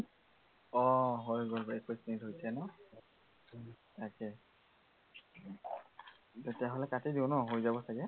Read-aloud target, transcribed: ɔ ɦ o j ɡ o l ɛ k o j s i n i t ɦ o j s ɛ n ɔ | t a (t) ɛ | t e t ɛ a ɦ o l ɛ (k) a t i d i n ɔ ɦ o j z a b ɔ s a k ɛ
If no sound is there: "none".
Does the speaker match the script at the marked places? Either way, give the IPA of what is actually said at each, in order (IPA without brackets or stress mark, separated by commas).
k, k